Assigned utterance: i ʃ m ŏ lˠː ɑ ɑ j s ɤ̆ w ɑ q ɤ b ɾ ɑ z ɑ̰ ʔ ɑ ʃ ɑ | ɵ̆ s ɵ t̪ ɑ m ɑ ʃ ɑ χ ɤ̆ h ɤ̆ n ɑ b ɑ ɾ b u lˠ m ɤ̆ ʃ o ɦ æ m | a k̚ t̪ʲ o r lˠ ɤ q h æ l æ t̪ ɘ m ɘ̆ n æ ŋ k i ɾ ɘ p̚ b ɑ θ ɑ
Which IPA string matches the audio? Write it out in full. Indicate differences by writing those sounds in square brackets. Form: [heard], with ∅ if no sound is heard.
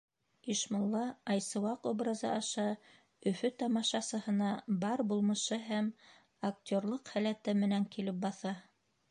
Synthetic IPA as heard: i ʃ m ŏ lˠː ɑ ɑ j s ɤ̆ w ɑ q [o] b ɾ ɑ z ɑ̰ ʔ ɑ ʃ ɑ | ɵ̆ [f] ɵ t̪ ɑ m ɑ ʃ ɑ [s] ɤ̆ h ɤ̆ n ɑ b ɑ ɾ b u lˠ m ɤ̆ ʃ [ɤ] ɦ æ m | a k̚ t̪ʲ o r lˠ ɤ q h æ l æ t̪ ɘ m ɘ̆ n æ ŋ k i [l] ɘ p̚ b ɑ θ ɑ